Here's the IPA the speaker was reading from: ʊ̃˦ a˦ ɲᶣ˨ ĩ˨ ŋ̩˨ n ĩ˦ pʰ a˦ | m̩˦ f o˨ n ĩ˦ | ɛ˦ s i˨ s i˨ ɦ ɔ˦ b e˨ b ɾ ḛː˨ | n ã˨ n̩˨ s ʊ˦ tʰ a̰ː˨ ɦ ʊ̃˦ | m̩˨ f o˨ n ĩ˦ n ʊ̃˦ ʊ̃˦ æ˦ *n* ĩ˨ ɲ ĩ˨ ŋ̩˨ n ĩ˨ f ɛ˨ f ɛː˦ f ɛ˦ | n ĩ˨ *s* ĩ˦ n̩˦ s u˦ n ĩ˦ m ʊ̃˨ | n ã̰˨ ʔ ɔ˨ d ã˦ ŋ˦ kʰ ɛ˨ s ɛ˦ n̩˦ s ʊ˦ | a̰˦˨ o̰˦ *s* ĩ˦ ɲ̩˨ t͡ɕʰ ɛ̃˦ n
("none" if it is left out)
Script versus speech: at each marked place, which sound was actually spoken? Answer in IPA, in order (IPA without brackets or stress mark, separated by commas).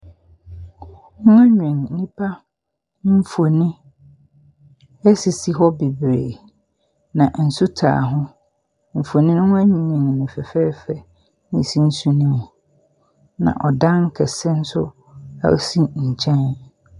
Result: ɲ, s, s